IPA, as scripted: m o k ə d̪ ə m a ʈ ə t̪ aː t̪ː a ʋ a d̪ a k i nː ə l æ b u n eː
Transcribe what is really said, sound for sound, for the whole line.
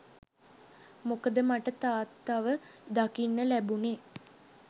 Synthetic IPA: m o k ə d̪ ə m a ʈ ə t̪ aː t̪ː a ʋ ə d̪ a k i nː ə l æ b u n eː